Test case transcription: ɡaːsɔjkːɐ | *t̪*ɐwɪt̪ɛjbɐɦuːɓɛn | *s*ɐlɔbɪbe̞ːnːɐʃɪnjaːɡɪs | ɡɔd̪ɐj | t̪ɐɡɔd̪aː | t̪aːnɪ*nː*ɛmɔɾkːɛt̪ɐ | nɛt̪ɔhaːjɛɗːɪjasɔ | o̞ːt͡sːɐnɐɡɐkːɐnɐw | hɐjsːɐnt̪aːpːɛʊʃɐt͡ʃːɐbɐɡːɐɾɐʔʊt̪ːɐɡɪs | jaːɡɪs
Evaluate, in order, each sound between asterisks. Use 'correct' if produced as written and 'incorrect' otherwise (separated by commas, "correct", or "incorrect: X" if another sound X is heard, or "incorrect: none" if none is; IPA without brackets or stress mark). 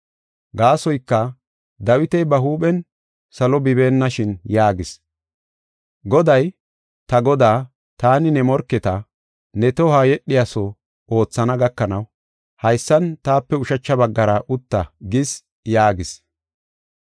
incorrect: d̪, correct, incorrect: n